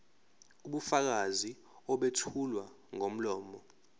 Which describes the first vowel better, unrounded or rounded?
rounded